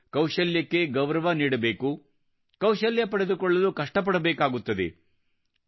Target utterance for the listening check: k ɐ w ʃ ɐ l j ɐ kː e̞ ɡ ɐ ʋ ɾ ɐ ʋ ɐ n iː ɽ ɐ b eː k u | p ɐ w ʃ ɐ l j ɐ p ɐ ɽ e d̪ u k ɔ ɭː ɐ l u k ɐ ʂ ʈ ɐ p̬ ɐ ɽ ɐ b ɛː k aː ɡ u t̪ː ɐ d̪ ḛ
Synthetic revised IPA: k ɐ w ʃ ɐ l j ɐ kː e̞ ɡ ɐ ʋ ɾ ɐ ʋ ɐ n iː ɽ ɐ b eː k u | k ɐ w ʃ ɐ l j ɐ p ɐ ɽ e d̪ u k ɔ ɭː ɐ l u k ɐ ʂ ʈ ɐ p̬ ɐ ɽ ɐ b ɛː k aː ɡ u t̪ː ɐ d̪ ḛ